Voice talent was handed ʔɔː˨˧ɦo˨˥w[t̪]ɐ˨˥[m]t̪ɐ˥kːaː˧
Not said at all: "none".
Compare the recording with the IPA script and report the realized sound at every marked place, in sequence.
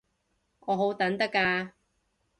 t̪, n

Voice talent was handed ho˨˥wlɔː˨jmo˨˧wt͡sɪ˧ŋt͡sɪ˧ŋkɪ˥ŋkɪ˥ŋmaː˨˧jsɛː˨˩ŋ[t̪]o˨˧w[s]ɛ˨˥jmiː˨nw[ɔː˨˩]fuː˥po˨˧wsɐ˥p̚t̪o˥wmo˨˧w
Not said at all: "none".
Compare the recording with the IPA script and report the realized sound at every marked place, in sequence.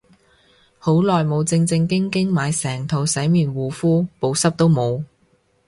t̪ʰ, s, uː˨˩

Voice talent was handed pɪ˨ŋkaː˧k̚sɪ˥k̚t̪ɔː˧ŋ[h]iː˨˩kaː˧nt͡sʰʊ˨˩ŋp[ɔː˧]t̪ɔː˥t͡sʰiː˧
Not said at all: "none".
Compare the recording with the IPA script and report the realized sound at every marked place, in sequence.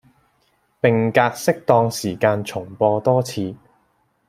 s, ɔː˧

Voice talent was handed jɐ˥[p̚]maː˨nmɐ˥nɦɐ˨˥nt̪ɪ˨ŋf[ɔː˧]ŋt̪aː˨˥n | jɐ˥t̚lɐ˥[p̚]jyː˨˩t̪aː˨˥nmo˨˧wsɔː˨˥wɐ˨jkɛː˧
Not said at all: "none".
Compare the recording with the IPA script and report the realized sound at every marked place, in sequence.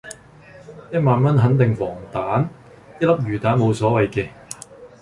t̚, ɔː˨˩, p̚

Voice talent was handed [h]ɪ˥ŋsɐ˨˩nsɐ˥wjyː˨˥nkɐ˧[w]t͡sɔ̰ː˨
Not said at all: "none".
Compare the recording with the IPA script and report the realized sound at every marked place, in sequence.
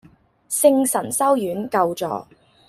s, w

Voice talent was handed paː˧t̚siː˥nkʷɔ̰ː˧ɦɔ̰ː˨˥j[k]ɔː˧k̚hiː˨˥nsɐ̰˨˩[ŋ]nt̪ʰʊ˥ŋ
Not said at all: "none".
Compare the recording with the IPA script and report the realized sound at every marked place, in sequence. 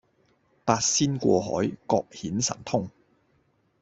k, none

